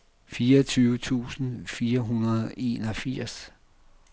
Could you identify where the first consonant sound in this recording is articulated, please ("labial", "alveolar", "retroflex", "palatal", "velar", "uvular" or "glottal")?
labial